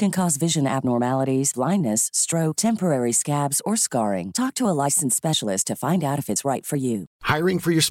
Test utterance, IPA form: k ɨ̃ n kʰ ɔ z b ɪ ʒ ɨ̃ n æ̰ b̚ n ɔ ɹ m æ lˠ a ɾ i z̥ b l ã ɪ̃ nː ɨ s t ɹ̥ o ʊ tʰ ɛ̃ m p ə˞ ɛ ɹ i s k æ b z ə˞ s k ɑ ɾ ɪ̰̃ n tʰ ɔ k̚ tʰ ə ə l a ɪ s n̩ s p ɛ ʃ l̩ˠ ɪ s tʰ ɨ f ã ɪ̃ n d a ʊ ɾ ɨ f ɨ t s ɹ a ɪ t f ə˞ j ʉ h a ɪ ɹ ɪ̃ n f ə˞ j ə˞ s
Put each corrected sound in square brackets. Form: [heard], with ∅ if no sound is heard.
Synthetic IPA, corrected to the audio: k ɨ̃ n kʰ ɔ z [v] ɪ ʒ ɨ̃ n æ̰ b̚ n ɔ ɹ m æ lˠ [ə] ɾ i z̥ b l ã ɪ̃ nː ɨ s t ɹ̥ o ʊ tʰ ɛ̃ m p ə˞ ɛ ɹ i s k æ b z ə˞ s k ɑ [ɹ] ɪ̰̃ [ŋ] tʰ ɔ k̚ tʰ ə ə l a ɪ s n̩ s p ɛ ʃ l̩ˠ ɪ s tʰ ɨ f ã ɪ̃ n d a ʊ ɾ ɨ f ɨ t s ɹ a ɪ t f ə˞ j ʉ h a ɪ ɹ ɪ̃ [ŋ] f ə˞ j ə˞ s